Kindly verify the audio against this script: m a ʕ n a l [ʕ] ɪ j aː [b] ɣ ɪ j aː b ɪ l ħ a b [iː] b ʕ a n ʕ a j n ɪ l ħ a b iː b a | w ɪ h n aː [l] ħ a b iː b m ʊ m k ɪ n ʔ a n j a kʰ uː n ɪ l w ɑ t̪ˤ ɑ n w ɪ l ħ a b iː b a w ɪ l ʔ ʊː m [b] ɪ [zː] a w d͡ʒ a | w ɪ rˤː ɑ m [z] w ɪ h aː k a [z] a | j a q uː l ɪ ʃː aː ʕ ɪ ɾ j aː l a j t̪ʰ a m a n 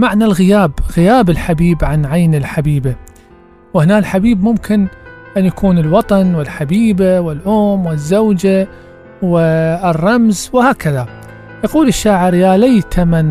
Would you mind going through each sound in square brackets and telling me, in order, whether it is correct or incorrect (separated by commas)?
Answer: incorrect, correct, correct, correct, incorrect, correct, correct, incorrect